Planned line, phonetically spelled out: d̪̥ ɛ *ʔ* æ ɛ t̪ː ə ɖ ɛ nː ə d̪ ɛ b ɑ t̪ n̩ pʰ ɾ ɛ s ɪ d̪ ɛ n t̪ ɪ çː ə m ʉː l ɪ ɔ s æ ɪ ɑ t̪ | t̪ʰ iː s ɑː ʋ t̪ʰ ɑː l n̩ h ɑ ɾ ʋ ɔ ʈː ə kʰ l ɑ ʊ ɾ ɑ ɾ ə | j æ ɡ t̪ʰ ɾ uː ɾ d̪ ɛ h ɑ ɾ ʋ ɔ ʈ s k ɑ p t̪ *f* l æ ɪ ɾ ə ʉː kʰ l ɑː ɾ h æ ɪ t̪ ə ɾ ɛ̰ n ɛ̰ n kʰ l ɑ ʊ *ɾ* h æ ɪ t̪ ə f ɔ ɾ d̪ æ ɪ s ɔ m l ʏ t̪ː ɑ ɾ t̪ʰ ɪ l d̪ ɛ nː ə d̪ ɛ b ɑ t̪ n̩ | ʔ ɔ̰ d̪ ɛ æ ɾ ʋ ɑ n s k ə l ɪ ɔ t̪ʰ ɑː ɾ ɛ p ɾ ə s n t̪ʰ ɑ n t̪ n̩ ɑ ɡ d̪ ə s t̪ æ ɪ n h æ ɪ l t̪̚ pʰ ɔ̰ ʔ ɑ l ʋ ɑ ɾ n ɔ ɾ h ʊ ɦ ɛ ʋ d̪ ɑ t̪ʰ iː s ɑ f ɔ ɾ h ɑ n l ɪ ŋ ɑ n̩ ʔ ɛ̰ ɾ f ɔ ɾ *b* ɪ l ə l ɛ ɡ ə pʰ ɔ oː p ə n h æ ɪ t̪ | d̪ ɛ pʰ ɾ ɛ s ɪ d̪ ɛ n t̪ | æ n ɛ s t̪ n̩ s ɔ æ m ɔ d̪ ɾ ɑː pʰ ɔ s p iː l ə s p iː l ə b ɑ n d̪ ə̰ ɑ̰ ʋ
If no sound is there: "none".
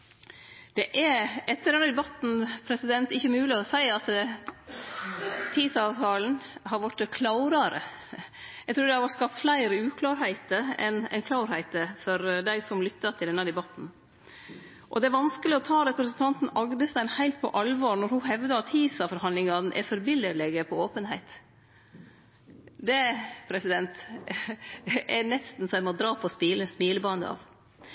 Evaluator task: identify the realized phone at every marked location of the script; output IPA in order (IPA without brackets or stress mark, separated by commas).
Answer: ʔ, f, ɾ, b